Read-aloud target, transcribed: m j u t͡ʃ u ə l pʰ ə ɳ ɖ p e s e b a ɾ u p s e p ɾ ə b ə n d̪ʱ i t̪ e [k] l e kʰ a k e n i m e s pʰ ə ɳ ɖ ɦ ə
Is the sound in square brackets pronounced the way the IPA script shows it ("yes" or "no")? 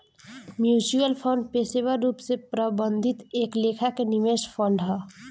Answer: yes